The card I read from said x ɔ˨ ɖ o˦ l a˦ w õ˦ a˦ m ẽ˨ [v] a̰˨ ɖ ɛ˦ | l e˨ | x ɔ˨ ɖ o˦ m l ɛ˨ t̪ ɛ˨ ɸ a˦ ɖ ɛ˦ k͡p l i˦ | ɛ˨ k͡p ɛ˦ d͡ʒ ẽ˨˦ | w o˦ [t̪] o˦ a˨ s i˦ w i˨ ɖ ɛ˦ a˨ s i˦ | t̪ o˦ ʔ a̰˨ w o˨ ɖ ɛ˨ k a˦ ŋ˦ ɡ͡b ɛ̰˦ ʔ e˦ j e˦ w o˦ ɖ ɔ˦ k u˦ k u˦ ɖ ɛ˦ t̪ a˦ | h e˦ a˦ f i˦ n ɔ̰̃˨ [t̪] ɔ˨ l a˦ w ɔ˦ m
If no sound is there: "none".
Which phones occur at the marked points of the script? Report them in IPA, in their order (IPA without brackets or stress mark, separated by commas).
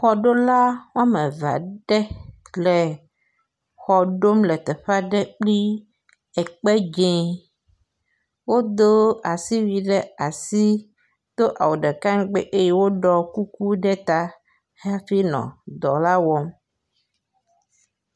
v, d̪, d̪